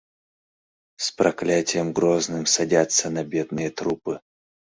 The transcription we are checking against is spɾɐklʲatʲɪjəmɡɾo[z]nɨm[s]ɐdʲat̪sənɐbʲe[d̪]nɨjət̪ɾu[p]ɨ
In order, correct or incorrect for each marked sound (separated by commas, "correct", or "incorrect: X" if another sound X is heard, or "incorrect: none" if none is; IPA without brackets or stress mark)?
correct, correct, correct, correct